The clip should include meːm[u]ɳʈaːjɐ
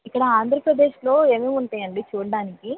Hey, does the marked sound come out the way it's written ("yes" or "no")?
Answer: yes